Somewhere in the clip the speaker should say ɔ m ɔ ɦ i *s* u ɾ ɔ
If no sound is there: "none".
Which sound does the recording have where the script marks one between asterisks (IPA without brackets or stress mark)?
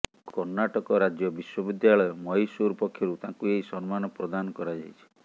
s